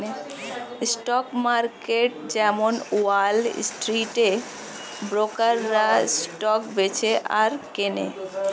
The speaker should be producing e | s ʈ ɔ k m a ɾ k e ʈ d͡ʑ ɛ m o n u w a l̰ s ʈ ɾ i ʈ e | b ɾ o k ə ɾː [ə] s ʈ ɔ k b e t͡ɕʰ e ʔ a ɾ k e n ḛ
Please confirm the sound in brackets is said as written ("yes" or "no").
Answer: no